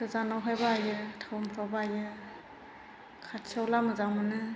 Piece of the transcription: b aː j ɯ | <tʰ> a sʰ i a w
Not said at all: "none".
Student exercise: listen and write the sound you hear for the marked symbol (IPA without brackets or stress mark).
kʰ